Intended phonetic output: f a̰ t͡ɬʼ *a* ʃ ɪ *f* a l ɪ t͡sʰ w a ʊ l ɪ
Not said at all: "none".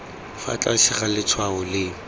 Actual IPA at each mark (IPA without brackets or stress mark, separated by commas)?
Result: a, χ